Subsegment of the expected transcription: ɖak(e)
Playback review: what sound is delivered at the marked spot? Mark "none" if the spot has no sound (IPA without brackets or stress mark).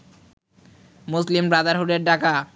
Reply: a